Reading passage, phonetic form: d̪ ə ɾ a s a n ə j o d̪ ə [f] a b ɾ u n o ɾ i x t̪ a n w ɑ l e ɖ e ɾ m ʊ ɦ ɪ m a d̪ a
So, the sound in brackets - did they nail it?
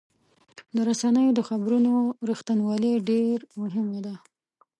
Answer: no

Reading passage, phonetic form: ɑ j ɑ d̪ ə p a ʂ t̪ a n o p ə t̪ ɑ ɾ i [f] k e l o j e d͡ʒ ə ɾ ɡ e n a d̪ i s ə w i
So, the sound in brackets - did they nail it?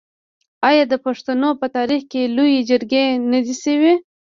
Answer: no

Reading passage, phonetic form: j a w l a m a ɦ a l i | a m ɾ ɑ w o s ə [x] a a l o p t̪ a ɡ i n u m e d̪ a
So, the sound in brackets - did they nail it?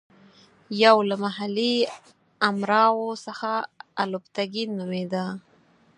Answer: yes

